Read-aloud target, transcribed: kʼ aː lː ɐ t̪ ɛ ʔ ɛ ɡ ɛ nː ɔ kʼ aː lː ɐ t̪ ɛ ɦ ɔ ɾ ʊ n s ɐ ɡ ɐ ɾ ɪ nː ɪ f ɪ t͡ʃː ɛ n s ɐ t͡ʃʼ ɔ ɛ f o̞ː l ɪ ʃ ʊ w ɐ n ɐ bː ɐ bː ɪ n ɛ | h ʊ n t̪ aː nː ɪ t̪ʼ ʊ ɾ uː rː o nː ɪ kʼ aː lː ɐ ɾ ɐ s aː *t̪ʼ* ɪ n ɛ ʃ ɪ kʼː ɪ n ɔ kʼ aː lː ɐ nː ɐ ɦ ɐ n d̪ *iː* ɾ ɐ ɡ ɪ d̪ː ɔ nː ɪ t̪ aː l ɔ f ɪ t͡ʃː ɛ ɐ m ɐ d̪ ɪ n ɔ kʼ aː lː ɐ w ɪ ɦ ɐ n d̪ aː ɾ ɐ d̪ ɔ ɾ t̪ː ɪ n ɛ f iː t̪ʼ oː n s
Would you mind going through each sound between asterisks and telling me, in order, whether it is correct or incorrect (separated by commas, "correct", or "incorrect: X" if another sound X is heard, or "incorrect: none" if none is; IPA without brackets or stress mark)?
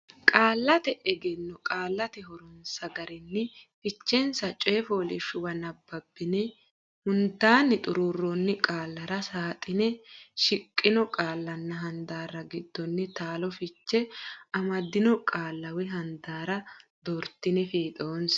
correct, incorrect: aː